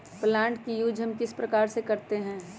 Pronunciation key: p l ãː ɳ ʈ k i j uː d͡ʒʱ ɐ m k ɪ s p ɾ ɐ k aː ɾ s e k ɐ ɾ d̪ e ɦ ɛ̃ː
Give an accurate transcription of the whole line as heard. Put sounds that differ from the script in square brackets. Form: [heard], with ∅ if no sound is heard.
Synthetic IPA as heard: p l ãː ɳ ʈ k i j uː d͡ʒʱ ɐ m k ɪ s p ɾ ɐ k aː ɾ s e k ɐ ɾ [t̪] e ɦ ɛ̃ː